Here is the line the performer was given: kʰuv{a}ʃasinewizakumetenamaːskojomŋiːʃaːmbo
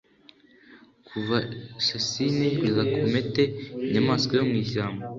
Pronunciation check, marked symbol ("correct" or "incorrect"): correct